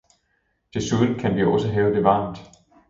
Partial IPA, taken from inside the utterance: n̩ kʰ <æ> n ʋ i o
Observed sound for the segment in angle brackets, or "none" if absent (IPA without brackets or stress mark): æ